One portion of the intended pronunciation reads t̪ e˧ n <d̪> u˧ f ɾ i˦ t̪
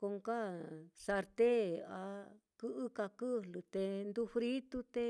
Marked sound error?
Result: no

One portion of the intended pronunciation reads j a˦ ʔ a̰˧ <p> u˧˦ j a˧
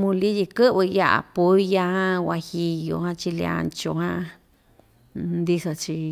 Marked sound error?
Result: no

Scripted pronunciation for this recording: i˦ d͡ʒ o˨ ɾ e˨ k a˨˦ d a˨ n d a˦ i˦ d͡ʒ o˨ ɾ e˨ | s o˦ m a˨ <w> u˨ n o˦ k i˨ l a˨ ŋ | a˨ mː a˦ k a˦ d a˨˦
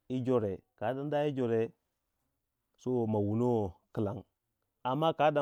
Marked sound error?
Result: no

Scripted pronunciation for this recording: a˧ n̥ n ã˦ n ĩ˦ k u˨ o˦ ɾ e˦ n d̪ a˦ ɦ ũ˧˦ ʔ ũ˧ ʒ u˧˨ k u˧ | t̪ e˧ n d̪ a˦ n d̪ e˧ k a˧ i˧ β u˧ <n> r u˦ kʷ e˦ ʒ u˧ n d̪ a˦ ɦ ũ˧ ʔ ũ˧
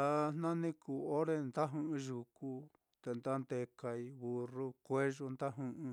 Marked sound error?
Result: yes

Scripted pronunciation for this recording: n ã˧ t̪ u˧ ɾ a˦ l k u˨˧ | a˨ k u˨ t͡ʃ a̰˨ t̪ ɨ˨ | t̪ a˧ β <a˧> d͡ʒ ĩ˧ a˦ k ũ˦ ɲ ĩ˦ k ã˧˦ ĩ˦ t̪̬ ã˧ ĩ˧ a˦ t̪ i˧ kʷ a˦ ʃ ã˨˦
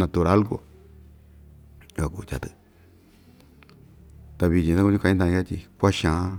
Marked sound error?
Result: yes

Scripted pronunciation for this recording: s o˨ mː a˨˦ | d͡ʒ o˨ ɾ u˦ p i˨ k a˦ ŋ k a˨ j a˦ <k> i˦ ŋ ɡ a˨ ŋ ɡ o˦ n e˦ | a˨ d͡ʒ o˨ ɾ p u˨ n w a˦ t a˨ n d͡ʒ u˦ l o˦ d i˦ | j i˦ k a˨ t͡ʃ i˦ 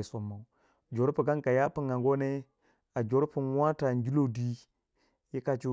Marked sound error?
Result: yes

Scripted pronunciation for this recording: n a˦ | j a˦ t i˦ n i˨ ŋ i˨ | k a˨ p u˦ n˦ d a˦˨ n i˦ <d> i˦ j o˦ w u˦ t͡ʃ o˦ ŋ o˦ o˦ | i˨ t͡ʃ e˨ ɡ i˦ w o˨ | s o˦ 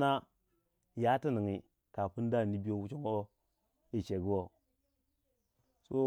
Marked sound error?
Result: yes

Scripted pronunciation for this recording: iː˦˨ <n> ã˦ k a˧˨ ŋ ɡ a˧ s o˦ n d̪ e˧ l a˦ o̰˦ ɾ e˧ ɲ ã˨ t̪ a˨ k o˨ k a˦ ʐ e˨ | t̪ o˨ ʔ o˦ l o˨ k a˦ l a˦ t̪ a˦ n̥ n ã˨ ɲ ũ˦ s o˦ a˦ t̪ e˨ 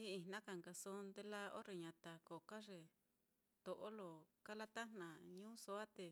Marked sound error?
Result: no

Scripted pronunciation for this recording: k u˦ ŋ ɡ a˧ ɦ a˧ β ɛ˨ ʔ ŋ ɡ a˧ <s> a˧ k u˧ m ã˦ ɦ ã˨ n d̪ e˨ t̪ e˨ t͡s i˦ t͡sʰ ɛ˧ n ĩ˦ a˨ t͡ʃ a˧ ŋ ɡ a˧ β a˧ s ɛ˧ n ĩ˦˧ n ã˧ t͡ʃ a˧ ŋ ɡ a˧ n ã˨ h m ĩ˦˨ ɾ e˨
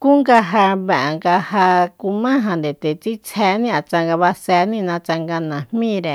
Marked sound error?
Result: yes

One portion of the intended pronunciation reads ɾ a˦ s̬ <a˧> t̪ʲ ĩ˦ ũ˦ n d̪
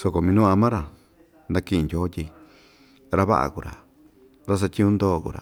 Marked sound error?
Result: no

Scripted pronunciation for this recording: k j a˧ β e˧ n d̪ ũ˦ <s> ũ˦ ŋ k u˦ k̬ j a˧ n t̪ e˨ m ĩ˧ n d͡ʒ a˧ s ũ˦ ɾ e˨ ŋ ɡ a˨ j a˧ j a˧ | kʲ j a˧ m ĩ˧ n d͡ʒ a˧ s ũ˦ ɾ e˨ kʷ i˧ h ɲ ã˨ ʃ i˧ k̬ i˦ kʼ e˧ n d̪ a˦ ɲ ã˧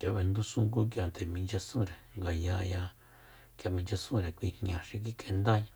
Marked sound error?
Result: no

